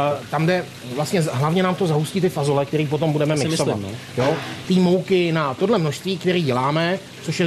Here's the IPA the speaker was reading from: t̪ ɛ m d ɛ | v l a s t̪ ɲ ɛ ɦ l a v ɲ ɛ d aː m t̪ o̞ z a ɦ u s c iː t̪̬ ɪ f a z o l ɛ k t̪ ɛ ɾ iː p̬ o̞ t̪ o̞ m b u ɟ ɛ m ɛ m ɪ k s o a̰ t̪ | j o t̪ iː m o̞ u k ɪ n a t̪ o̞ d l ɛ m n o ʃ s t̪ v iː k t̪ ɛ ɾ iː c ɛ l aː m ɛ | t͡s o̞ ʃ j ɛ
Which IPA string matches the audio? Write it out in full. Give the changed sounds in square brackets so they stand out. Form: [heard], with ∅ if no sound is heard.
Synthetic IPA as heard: t̪ [a] m d ɛ | v l a s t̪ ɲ ɛ ɦ l a v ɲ ɛ [n] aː m t̪ o̞ z a ɦ u s c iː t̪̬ ɪ f a z o l ɛ k t̪ ɛ ɾ iː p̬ o̞ t̪ o̞ m b u [d] ɛ m ɛ m ɪ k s o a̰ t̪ | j o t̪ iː m o̞ [w] k ɪ n a t̪ o̞ d l ɛ m n o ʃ s t̪ v iː k t̪ ɛ ɾ iː [ɟ] ɛ l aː m ɛ | t͡s o̞ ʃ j ɛ